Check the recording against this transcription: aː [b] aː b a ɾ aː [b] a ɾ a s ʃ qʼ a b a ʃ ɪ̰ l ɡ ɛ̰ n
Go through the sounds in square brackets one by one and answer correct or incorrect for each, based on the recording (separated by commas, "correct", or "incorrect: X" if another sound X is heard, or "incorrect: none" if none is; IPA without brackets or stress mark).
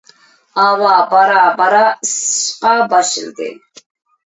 incorrect: w, correct